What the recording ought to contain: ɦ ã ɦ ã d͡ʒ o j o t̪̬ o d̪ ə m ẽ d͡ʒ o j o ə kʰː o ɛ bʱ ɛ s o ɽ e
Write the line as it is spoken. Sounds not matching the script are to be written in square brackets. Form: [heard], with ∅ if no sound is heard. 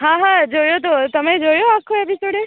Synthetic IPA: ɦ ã ɦ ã d͡ʒ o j o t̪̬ o [t̪] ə m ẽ d͡ʒ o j o [a] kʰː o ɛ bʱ [i] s o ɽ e